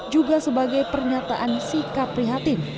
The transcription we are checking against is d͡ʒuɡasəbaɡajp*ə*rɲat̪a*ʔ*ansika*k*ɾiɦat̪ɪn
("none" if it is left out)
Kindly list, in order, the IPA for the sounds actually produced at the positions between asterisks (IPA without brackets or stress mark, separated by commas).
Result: ə, ʔ, p